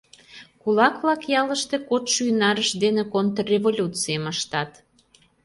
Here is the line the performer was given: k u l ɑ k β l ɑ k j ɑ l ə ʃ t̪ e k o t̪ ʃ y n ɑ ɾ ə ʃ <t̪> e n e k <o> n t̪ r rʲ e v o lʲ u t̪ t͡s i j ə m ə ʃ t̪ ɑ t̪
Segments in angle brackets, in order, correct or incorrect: incorrect: d̪, correct

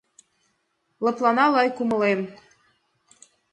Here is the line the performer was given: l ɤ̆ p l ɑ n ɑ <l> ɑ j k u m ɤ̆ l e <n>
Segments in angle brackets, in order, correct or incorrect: correct, incorrect: m

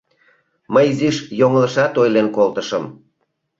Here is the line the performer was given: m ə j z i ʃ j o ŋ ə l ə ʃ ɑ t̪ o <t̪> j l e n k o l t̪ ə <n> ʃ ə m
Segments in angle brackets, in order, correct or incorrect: incorrect: none, incorrect: none

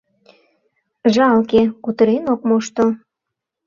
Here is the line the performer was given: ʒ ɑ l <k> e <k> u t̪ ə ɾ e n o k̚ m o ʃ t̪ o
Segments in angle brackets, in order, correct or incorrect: correct, correct

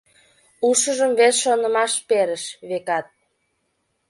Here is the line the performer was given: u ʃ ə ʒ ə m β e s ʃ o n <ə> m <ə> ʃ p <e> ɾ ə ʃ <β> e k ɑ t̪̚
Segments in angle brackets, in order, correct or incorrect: correct, incorrect: ɑ, correct, correct

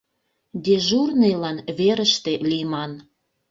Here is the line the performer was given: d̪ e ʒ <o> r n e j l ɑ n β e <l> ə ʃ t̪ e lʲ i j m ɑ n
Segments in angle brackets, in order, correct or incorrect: incorrect: u, incorrect: ɾ

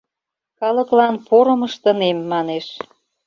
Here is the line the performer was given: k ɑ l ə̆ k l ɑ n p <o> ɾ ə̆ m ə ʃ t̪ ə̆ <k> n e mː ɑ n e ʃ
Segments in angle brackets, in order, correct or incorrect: correct, incorrect: none

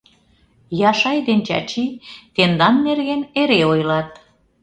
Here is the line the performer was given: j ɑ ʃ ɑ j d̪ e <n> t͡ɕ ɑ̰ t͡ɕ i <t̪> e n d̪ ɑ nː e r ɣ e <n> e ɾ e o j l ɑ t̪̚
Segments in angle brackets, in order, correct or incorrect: correct, correct, correct

